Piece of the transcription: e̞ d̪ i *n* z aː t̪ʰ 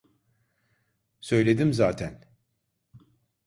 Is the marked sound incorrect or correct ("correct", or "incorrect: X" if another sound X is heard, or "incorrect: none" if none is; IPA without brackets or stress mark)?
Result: incorrect: m